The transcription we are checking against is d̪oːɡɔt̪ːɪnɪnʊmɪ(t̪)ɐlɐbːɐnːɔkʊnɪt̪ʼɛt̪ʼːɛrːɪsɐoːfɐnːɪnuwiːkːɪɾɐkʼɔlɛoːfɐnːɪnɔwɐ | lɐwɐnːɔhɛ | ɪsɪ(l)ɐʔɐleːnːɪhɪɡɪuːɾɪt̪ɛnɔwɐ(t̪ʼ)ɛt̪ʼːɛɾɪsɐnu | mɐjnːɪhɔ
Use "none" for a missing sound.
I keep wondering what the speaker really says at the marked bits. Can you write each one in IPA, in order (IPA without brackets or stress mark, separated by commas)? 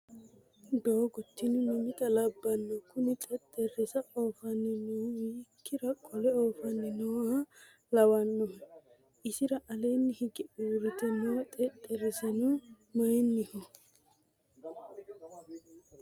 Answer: t̪, ɾ, t̪ʼ